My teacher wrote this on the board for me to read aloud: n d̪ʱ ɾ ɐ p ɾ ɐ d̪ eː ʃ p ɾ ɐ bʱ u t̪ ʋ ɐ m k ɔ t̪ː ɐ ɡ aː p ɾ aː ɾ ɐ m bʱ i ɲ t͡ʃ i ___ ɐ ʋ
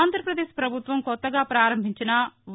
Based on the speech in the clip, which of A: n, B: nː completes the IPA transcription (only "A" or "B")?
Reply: A